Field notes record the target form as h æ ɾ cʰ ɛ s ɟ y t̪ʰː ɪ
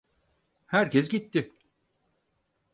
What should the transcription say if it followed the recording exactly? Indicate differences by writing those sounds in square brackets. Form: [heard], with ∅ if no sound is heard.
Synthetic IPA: h æ ɾ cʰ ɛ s ɟ [i] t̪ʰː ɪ